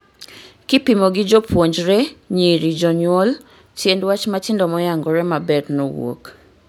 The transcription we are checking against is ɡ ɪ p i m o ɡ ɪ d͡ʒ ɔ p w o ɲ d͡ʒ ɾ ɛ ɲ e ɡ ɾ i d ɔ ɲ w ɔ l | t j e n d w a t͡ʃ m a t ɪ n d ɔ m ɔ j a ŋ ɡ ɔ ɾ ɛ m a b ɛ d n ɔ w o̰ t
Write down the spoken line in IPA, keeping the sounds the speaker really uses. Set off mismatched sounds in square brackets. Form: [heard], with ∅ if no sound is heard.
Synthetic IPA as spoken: [k] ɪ p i m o ɡ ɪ d͡ʒ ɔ p w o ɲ d͡ʒ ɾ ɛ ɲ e [∅] ɾ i [d͡ʒ] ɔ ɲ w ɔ l | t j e n d w a t͡ʃ m a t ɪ n d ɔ m ɔ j a ŋ ɡ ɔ ɾ ɛ m a b ɛ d n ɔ w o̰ [k]